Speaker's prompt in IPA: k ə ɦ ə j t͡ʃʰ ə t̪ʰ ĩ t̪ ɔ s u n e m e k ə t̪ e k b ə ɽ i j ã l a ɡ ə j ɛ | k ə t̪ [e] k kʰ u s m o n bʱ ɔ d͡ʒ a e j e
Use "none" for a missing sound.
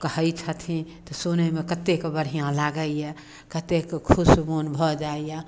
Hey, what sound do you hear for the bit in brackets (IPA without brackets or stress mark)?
e